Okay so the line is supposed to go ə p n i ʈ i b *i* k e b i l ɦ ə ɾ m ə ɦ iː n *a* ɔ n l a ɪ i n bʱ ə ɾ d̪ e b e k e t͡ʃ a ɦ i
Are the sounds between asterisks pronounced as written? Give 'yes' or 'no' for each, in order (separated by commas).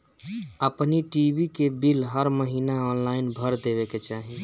yes, yes